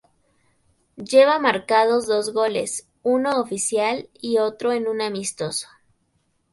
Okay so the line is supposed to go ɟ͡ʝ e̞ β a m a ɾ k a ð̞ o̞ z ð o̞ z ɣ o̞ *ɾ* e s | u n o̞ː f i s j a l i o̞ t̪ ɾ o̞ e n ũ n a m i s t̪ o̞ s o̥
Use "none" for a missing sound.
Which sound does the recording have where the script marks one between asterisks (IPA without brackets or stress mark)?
l